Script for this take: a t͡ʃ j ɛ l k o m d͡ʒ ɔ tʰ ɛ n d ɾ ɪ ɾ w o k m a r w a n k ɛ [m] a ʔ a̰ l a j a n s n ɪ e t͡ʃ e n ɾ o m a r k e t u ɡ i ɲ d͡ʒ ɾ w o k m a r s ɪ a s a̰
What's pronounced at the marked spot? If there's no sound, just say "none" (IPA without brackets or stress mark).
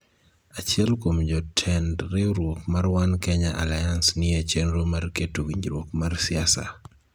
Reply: ɲ